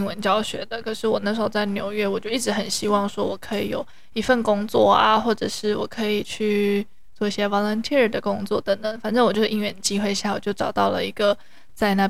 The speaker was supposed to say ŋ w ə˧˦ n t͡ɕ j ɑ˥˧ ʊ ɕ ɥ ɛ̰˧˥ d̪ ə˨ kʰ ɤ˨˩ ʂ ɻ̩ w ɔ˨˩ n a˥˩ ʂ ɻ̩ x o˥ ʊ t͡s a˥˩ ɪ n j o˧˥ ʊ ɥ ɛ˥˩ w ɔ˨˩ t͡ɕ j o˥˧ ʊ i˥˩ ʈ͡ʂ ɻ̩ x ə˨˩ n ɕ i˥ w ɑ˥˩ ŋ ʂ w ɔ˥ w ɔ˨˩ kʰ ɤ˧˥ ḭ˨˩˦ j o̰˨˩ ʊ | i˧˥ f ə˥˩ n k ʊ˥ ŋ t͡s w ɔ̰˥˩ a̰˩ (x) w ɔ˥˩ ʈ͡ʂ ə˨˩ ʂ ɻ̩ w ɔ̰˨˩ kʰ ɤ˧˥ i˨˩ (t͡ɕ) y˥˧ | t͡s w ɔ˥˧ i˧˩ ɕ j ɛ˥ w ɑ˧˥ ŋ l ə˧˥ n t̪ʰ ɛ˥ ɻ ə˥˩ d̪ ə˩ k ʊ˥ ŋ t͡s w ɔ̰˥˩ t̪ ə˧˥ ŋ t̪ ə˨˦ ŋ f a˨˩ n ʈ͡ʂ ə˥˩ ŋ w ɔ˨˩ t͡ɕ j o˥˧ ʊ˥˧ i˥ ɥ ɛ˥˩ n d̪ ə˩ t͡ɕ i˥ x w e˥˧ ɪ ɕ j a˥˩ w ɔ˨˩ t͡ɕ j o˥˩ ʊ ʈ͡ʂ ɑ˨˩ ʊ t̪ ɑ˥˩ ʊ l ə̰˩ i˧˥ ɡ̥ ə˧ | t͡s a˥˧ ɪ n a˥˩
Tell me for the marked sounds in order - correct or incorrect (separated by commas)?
correct, incorrect